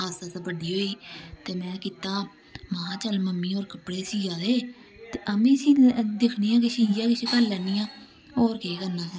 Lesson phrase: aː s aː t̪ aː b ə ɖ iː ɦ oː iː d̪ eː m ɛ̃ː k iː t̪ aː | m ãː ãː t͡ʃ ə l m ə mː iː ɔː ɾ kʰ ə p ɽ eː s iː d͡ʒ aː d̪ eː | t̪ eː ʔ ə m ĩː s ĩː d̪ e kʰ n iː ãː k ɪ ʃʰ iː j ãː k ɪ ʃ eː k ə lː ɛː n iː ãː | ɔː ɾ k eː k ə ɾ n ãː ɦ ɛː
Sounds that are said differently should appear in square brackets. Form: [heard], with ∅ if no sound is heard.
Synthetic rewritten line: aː s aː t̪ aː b ə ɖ iː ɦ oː iː [t̪] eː m ɛ̃ː k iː t̪ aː | m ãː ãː t͡ʃ ə l m ə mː iː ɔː ɾ [k] ə p ɽ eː s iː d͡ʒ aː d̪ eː | t̪ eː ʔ ə m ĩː s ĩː d̪ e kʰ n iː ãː k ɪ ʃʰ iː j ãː k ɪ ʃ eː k ə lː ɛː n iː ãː | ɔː ɾ k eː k ə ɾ n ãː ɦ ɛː